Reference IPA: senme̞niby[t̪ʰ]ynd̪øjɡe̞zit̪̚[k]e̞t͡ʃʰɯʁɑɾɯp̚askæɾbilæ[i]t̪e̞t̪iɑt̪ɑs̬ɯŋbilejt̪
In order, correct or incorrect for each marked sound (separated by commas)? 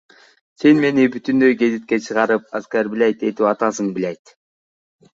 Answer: incorrect, correct, incorrect